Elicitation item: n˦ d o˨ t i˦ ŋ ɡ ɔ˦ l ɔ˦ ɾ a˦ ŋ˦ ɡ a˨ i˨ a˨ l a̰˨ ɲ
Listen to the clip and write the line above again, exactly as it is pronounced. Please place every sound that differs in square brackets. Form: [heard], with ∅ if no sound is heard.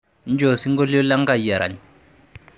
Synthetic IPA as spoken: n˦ [d͡ʒ] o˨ [s] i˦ ŋ ɡ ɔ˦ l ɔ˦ [l] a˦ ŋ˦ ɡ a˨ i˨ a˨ [ɾ] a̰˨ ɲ

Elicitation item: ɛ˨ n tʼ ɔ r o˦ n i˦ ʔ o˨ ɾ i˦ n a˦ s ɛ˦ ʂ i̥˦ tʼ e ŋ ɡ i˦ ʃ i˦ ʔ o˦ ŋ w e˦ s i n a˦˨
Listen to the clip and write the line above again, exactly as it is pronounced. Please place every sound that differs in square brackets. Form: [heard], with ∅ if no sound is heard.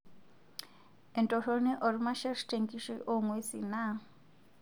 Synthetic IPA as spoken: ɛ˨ n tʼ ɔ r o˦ n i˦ ʔ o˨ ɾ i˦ [m] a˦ [ʃ] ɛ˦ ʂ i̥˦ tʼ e ŋ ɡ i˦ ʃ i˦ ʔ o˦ ŋ w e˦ s i n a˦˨

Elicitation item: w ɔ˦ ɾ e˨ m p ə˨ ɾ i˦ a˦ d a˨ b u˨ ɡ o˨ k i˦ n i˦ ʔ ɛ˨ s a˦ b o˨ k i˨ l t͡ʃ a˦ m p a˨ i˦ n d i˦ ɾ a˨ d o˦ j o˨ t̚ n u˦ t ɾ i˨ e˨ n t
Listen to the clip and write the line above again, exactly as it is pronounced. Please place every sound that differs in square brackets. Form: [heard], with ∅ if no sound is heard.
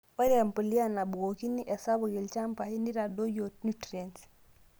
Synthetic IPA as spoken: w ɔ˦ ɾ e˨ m p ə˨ [l] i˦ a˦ [n] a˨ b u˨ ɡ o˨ k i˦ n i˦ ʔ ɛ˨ s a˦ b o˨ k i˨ l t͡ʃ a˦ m p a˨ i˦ n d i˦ ɾ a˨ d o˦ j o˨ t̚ n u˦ t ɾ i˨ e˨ n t

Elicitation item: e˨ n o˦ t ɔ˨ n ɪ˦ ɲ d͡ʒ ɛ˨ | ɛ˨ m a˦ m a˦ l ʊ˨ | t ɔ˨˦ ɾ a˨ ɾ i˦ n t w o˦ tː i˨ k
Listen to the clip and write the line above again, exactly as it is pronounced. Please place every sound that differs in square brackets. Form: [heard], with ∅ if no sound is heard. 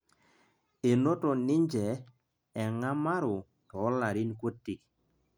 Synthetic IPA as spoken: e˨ n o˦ t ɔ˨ n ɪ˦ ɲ d͡ʒ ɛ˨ | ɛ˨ [ŋ] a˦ m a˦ [ɾ] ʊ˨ | t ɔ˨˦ [l] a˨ ɾ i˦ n [k] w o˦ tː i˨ k

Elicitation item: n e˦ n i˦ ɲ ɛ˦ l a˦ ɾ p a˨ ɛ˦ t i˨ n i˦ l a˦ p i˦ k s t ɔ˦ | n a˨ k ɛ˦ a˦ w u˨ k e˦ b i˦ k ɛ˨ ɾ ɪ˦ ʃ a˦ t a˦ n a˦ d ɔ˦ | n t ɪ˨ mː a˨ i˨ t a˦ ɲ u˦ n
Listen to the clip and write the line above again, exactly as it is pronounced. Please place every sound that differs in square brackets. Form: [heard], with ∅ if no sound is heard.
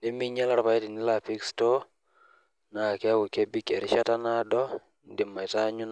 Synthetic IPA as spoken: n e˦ [m] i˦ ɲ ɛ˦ l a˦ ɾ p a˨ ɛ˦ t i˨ n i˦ l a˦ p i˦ k s t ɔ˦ | n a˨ k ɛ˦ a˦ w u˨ k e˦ b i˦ k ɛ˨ ɾ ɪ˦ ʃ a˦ t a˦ n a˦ d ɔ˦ | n [d] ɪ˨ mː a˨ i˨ t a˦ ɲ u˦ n

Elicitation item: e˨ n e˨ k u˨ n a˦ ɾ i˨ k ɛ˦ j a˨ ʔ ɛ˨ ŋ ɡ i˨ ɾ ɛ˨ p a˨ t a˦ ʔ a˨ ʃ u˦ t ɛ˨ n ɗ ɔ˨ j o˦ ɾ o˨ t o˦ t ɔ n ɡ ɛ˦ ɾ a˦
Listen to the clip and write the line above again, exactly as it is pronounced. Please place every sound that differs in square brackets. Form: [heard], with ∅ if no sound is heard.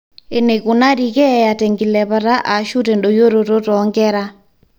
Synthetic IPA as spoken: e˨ n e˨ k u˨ n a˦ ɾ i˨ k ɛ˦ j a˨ [t] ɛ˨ ŋ ɡ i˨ [l] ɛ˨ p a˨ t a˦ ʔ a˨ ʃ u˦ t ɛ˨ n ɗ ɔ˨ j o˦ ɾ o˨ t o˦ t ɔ [ŋ] ɡ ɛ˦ ɾ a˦

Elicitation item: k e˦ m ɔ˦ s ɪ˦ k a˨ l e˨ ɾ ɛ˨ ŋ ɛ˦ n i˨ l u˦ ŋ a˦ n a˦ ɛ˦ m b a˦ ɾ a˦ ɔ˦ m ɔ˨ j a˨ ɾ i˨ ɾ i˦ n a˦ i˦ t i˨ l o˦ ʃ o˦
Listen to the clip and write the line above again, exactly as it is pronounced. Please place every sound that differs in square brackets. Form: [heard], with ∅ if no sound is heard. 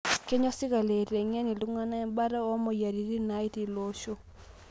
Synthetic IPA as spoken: k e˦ [ɲ] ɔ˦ s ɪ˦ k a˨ l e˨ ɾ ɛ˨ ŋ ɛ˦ n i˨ l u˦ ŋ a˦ n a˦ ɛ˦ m b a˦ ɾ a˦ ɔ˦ m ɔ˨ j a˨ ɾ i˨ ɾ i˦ n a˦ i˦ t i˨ l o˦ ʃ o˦

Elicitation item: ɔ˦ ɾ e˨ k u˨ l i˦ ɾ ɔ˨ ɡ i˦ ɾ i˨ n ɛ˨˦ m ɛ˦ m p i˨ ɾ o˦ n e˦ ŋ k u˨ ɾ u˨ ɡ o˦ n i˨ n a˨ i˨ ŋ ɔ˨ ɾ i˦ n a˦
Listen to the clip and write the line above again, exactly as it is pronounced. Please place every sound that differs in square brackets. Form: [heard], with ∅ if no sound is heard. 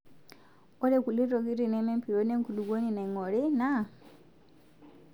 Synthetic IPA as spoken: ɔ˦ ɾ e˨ k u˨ l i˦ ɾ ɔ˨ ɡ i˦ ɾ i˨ n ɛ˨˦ m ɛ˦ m p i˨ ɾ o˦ n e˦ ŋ k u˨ [l] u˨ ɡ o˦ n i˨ n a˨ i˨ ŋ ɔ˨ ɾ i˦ n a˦

